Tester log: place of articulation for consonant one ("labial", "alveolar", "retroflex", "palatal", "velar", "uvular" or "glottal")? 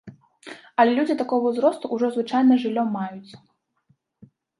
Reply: alveolar